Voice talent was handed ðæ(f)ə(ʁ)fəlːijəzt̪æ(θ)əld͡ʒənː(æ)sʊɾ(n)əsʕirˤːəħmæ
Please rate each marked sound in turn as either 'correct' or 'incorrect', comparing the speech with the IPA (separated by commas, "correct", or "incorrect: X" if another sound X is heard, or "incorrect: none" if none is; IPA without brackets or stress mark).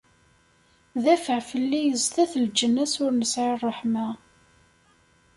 correct, incorrect: ʕ, correct, correct, correct